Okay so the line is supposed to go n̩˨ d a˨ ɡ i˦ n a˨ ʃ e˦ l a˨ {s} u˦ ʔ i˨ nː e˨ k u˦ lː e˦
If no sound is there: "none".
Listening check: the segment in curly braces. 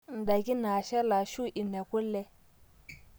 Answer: ʃ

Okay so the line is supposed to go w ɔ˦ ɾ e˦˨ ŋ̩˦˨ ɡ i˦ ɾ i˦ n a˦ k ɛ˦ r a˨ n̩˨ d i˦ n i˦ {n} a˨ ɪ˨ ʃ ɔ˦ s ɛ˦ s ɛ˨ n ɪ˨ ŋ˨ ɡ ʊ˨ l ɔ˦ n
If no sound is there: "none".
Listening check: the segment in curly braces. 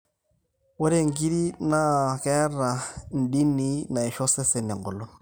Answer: n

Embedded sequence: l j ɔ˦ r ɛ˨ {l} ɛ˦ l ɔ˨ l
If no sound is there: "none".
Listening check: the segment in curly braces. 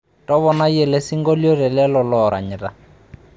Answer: l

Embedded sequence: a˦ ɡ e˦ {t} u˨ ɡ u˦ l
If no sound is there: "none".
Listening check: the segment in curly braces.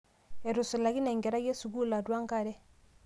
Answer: s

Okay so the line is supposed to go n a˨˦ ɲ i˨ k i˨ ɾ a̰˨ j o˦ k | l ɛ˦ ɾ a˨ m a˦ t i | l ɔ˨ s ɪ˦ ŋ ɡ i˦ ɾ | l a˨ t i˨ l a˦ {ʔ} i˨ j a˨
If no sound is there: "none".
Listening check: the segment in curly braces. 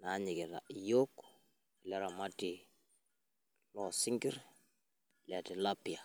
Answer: p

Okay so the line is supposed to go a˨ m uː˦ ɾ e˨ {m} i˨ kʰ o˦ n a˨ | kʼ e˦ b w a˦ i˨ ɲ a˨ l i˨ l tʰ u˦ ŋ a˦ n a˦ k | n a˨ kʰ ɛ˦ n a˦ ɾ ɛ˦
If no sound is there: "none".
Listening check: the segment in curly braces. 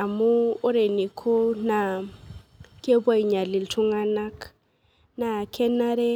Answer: n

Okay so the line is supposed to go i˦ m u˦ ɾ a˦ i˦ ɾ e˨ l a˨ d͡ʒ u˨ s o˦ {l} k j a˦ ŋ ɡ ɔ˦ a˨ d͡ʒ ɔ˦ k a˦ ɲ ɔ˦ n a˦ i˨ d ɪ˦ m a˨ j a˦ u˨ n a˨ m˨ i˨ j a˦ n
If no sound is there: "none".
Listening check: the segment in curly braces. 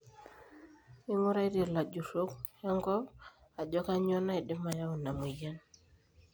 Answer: none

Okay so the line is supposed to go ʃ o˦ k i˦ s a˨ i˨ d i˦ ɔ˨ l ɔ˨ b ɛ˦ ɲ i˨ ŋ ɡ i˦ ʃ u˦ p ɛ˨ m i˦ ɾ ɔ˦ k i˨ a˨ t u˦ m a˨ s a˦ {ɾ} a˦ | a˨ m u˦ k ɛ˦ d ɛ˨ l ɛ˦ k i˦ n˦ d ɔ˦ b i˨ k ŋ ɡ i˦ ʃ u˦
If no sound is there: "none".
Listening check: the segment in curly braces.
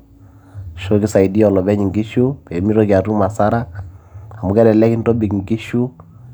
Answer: ɾ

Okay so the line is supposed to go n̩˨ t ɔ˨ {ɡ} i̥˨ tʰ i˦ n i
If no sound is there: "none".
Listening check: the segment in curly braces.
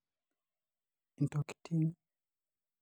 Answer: k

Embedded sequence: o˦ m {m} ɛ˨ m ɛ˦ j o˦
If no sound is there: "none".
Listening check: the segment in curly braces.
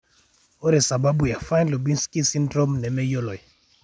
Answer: n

